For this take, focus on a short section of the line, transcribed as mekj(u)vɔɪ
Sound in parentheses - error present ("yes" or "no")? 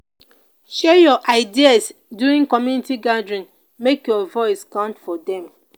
yes